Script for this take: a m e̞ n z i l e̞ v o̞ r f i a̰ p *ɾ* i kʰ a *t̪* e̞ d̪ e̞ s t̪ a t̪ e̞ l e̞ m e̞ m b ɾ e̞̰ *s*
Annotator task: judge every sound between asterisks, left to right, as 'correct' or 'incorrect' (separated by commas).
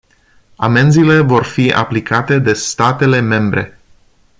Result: incorrect, correct, incorrect